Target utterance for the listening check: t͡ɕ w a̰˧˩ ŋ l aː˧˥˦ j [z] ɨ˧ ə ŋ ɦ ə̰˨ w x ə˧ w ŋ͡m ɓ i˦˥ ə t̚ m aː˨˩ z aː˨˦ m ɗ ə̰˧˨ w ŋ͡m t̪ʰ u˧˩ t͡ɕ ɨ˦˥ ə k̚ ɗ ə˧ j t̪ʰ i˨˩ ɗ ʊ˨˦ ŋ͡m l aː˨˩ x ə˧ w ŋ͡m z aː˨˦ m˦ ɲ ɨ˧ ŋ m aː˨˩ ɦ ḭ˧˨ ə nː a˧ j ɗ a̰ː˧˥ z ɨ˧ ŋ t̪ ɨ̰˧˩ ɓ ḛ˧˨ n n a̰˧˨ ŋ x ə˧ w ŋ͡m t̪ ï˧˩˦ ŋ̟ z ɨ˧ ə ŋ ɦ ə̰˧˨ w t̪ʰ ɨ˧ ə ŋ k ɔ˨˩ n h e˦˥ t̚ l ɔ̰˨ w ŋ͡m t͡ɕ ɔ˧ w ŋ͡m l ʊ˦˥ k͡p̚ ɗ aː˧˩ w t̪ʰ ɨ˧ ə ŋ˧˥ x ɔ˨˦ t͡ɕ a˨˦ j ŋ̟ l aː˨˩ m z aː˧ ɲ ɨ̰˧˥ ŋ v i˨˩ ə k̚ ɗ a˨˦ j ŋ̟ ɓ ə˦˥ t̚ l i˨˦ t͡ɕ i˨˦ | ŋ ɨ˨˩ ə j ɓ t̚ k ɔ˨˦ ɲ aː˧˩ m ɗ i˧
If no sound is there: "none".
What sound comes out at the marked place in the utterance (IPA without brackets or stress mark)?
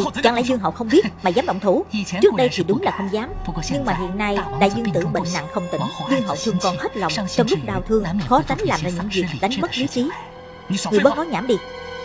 z